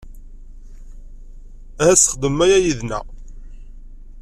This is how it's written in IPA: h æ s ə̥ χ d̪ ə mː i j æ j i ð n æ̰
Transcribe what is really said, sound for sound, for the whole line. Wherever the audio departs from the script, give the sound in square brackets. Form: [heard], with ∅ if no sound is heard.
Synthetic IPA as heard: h æ s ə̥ χ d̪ ə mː [æ] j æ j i ð n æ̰